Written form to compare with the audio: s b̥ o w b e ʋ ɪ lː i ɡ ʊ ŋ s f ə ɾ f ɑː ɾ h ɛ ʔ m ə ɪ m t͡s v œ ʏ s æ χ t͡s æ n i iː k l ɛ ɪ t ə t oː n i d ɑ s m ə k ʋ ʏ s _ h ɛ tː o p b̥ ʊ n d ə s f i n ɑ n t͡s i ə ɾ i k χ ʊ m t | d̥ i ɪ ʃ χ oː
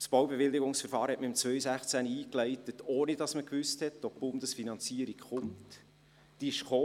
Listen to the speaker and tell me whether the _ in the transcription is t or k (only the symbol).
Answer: t